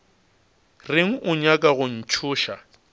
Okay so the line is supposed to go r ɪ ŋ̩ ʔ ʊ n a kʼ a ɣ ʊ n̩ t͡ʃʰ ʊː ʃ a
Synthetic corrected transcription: r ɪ ŋ̩ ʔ ʊ ɲ a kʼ a ɣ ʊ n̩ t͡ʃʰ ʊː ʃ a